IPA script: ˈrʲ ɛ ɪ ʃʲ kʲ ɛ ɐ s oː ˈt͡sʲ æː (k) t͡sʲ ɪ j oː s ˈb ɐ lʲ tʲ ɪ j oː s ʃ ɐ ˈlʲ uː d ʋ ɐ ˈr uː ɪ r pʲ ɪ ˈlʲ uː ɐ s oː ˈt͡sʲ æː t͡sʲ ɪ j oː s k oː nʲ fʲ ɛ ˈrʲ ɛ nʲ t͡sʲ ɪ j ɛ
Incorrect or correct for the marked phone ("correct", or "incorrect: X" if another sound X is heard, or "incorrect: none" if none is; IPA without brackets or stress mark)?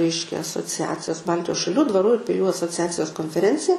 incorrect: none